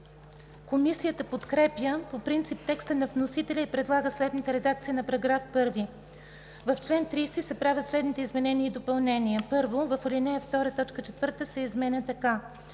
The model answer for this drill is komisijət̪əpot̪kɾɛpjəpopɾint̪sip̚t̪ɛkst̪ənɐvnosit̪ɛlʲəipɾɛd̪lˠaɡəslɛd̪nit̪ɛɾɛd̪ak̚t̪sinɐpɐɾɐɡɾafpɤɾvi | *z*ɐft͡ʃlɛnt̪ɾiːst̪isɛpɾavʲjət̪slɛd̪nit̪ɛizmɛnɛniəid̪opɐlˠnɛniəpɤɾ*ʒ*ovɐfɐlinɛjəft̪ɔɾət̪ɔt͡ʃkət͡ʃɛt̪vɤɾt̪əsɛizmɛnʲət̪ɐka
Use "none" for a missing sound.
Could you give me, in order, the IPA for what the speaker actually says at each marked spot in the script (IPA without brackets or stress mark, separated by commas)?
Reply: v, v